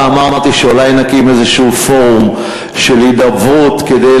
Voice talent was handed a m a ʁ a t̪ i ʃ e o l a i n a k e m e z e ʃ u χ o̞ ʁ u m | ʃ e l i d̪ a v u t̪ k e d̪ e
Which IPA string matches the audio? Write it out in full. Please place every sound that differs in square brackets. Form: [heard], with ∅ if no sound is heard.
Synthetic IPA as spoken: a m a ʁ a t̪ i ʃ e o l a [j] n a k [i] m e z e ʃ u [f] o̞ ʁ u m | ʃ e l i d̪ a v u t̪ k e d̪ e